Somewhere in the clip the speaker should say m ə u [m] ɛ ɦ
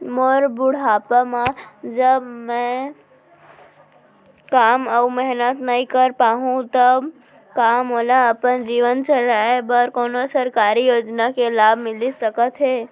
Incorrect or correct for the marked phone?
correct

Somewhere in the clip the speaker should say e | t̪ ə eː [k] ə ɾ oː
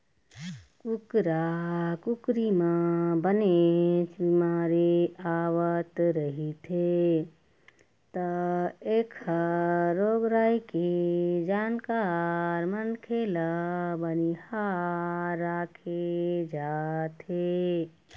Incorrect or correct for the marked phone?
incorrect: kʰ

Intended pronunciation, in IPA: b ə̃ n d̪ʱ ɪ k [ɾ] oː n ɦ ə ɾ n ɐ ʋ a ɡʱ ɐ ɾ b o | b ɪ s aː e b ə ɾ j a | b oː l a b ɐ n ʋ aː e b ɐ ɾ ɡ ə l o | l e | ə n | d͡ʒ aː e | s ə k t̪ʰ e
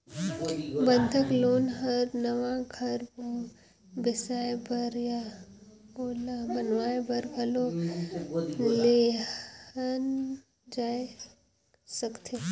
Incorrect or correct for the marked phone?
incorrect: l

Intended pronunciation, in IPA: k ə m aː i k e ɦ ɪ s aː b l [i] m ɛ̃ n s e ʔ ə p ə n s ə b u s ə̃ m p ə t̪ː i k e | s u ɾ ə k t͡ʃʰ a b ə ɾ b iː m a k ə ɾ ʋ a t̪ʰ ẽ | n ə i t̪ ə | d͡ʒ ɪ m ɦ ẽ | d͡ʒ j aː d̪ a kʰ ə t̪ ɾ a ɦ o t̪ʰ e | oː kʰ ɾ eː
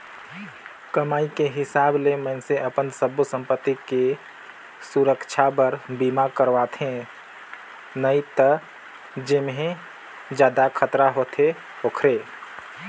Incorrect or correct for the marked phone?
incorrect: e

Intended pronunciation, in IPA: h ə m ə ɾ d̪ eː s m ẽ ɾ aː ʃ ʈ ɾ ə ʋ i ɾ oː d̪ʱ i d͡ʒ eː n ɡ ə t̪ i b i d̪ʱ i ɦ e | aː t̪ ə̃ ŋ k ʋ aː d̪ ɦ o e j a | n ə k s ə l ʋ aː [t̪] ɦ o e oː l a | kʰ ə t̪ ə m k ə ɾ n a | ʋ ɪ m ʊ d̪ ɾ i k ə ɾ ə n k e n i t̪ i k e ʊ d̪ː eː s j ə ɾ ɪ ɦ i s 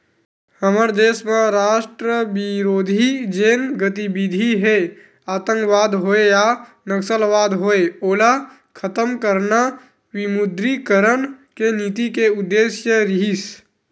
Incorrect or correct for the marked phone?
incorrect: d̪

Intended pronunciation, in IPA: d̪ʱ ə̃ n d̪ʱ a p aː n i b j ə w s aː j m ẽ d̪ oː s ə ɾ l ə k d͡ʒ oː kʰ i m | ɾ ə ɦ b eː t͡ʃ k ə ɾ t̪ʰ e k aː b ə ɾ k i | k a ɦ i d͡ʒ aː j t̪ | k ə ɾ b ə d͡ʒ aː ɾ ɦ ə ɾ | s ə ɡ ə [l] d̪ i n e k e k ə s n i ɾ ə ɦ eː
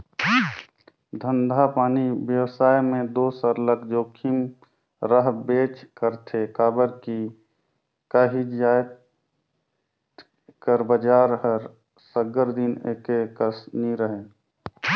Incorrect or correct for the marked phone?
incorrect: ɾ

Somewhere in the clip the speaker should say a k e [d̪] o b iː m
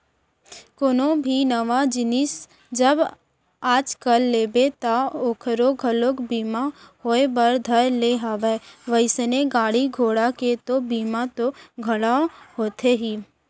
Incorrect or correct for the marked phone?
incorrect: t̪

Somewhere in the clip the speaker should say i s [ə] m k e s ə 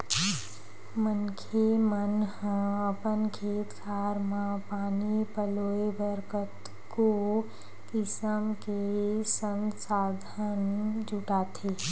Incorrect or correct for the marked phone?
correct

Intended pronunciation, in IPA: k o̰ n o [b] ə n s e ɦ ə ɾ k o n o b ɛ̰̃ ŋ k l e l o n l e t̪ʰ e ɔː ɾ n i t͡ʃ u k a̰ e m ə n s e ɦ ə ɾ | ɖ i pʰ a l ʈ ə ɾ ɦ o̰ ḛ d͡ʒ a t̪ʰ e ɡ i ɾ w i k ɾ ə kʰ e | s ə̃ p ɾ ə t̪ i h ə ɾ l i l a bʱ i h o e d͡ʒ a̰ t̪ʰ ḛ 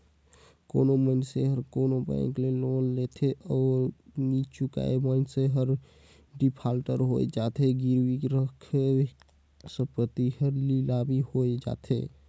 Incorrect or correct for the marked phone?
incorrect: m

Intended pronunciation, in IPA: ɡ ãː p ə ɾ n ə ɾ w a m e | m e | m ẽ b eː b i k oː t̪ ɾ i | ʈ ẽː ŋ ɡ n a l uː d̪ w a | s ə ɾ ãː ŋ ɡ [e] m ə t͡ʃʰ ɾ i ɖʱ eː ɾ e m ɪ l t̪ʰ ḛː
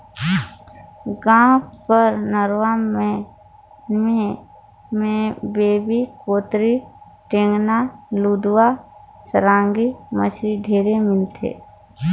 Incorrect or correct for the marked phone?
incorrect: i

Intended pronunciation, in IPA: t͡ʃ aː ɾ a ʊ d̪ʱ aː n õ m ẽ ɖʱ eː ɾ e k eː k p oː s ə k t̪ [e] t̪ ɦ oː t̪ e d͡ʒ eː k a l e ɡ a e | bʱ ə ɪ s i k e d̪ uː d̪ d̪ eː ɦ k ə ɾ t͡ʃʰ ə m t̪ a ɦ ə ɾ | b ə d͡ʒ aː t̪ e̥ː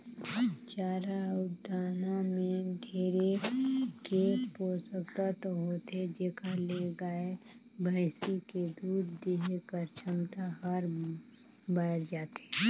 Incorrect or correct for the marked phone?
incorrect: a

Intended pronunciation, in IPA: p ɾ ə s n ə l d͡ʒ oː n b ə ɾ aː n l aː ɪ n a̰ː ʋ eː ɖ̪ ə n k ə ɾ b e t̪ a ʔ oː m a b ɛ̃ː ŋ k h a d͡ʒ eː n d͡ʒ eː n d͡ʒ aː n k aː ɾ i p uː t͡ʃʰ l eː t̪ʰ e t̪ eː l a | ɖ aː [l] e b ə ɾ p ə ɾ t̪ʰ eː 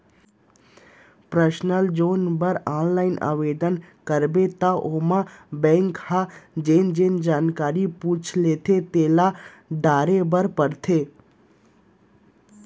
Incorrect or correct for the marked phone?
incorrect: ɾ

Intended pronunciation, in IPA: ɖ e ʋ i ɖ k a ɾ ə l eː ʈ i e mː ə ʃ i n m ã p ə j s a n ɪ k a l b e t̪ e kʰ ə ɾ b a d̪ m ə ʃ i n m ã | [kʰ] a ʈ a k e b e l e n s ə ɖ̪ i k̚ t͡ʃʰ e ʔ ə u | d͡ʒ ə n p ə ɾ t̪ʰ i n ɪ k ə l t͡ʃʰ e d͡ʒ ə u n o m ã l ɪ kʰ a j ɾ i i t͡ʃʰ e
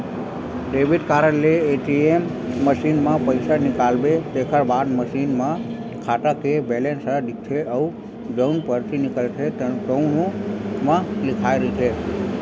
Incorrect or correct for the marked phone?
correct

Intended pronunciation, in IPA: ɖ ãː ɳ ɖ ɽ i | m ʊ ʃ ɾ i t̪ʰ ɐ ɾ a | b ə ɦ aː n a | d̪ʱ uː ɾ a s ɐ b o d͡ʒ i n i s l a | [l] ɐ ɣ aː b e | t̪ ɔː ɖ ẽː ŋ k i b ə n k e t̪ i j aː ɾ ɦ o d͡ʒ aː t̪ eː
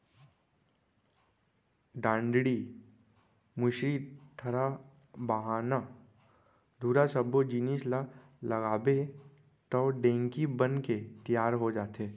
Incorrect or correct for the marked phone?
correct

